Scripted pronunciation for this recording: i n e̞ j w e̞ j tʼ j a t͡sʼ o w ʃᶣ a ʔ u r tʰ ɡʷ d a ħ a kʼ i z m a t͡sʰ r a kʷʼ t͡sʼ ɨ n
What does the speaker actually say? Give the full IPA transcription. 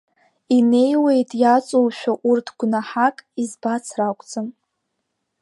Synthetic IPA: i n e̞ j w e̞ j tʼ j a t͡sʼ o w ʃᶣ a ʔ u r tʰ ɡʷ n a ħ a kʼ i z b a t͡sʰ r a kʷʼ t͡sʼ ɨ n